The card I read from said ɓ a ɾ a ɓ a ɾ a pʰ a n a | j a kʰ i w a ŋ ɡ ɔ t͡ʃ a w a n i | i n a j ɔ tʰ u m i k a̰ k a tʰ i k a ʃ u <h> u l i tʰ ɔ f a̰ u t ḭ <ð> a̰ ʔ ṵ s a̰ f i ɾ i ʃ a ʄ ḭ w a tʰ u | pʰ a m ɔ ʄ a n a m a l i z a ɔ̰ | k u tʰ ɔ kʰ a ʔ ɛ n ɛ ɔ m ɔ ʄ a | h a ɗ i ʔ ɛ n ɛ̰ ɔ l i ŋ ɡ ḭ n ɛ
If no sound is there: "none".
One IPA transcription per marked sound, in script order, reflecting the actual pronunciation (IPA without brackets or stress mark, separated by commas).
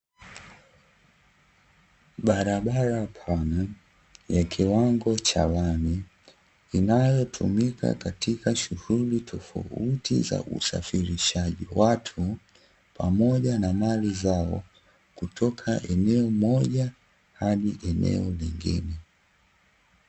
h, z